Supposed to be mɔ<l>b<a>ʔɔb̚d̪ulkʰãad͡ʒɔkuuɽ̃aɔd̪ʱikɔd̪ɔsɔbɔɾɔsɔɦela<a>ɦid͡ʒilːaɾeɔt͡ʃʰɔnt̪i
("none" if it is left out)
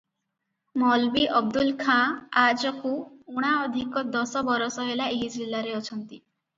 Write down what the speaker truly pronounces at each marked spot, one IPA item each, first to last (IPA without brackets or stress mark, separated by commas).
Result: l, i, e